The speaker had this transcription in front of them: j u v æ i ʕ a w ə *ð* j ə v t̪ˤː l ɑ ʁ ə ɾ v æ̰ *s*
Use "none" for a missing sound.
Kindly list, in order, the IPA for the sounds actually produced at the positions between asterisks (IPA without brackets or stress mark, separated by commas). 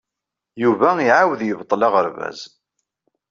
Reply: ð, z